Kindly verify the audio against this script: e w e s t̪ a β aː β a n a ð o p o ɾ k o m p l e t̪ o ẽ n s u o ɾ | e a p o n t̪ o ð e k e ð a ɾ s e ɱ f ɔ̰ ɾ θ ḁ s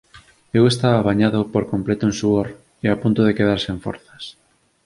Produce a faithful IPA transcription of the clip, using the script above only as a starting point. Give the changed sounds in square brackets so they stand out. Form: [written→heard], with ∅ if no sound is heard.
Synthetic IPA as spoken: e w e s t̪ a β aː β a [n→ɲ] a ð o p o ɾ k o m p l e t̪ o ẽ n s u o ɾ | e a p [o→u] n t̪ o ð e k e ð a ɾ s e ɱ f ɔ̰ ɾ θ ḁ s